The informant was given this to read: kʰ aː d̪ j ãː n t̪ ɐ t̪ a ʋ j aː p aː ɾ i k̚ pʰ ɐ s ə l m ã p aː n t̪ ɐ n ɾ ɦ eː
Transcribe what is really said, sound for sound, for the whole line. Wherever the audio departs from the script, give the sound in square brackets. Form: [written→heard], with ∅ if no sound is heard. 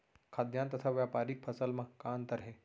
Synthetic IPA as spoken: kʰ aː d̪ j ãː n t̪ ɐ [t̪→t̪ʰ] a ʋ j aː p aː ɾ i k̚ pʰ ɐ s ə l m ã [p→k] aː n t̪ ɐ [n→∅] ɾ ɦ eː